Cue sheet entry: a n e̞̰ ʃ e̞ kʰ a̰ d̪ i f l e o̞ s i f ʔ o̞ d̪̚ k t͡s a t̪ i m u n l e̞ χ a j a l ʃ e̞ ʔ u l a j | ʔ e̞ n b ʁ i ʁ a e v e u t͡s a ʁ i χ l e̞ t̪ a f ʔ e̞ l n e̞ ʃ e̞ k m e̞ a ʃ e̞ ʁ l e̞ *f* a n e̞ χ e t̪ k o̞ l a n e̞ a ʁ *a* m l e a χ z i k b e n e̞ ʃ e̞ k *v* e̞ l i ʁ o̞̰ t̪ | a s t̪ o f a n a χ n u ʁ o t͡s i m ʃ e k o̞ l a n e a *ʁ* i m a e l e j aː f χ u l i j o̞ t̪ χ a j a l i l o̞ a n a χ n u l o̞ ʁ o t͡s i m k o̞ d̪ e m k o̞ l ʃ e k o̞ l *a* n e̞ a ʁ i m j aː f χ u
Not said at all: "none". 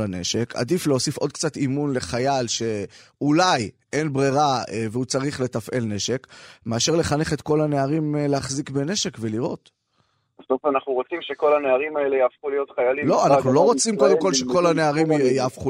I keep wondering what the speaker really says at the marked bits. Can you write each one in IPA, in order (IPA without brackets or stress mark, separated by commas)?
χ, i, v, ʁ, a